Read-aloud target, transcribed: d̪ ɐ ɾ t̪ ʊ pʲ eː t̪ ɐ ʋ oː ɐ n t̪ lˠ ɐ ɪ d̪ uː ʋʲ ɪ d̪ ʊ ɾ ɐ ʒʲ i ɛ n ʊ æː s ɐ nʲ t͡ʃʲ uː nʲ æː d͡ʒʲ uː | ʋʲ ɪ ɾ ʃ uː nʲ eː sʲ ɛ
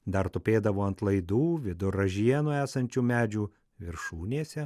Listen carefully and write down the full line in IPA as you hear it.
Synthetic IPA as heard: d̪ ɐ ɾ t̪ ʊ pʲ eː d̪ ɐ ʋ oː ɐ n t̪ lˠ ɐ ɪ d̪ uː ʋʲ ɪ d̪ ʊ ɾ ɐ ʒʲ i ɛ n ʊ æː s ɐ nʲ t͡ʃʲ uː mʲ æː d͡ʒʲ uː | ʋʲ ɪ ɾ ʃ uː nʲ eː sʲ ɛ